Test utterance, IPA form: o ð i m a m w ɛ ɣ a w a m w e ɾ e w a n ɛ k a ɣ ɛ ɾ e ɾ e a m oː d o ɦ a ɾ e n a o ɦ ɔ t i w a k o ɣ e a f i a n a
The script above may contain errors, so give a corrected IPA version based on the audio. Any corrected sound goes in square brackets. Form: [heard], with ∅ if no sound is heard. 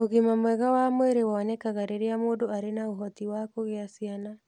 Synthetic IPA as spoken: o [ɣ] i m a m w ɛ ɣ a w a m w e ɾ e w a n ɛ k a ɣ [a] ɾ e ɾ e a m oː d o [∅] a ɾ e n a o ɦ ɔ t i w a k o ɣ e a [s] i a n a